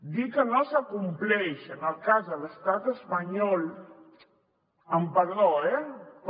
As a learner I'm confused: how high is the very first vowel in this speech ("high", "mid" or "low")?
high